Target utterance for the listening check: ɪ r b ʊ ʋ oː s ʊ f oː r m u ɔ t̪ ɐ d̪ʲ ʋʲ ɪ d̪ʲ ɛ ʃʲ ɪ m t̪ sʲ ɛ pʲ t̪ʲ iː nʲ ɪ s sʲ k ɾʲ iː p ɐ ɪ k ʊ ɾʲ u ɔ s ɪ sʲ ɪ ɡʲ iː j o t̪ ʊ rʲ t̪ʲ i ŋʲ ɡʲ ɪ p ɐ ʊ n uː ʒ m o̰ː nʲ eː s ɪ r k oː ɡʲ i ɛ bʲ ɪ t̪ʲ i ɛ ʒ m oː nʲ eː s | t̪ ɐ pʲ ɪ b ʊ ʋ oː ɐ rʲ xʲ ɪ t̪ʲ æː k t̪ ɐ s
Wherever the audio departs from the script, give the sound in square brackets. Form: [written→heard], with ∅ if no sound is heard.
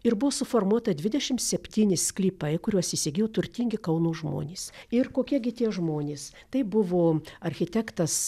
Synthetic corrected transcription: ɪ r b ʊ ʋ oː s ʊ f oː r m u ɔ t̪ ɐ d̪ʲ ʋʲ ɪ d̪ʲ ɛ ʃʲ ɪ m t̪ sʲ ɛ pʲ t̪ʲ iː nʲ ɪ s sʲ k [ɾʲ→lʲ] iː p ɐ ɪ k ʊ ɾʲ u ɔ s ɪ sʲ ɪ ɡʲ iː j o t̪ ʊ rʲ t̪ʲ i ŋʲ ɡʲ ɪ [p→k] ɐ ʊ n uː ʒ m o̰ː nʲ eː s ɪ r k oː [ɡʲ→kʲ] i ɛ [bʲ→ɡʲ] ɪ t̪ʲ i ɛ ʒ m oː nʲ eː s | t̪ ɐ [pʲ→∅] ɪ b ʊ ʋ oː ɐ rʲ xʲ ɪ t̪ʲ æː k t̪ ɐ s

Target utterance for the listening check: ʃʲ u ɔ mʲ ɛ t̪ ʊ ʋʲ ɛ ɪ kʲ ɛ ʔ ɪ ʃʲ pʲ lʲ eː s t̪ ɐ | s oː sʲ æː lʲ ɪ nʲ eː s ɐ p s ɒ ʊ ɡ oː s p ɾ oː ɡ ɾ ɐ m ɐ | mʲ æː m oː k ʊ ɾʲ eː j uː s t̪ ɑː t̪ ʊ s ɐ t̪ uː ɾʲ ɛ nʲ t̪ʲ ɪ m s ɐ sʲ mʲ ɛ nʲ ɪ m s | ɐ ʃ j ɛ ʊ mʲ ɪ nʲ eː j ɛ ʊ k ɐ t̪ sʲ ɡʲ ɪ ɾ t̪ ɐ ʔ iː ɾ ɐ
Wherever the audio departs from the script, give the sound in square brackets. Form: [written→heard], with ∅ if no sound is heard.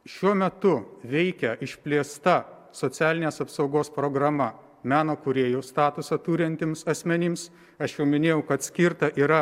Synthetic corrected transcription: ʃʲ u ɔ mʲ ɛ t̪ ʊ ʋʲ ɛ ɪ kʲ ɛ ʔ ɪ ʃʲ pʲ lʲ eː s t̪ ɐ | s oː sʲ æː lʲ ɪ nʲ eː s ɐ p s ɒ ʊ ɡ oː s p ɾ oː ɡ ɾ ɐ m ɐ | mʲ æː [m→n] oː k ʊ ɾʲ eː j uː s t̪ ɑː t̪ ʊ s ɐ t̪ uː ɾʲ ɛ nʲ t̪ʲ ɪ m s ɐ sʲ mʲ ɛ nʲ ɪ m s | ɐ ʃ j ɛ ʊ mʲ ɪ nʲ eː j ɛ ʊ k ɐ t̪ sʲ [ɡʲ→kʲ] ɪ ɾ t̪ ɐ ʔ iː ɾ ɐ

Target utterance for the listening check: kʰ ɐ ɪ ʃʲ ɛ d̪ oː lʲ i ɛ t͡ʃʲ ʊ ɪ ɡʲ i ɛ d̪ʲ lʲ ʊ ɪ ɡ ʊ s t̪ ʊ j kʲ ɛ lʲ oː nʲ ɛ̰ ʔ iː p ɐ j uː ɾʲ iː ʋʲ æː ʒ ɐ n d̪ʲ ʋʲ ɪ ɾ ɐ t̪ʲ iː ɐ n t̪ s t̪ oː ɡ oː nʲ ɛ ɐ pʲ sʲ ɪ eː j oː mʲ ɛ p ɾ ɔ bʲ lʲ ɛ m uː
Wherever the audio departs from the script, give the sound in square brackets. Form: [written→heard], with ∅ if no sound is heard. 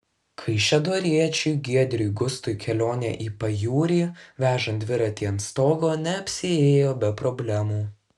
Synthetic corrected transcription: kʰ ɐ ɪ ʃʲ ɛ d̪ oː [lʲ→ɾʲ] i ɛ t͡ʃʲ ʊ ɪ ɡʲ i ɛ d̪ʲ [lʲ→ɾʲ] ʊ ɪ ɡ ʊ s t̪ ʊ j kʲ ɛ lʲ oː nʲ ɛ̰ ʔ iː p ɐ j uː ɾʲ iː ʋʲ æː ʒ ɐ n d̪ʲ ʋʲ ɪ ɾ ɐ t̪ʲ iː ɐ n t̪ s t̪ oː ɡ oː nʲ ɛ ɐ pʲ sʲ ɪ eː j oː [mʲ→bʲ] ɛ p ɾ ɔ bʲ lʲ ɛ m uː

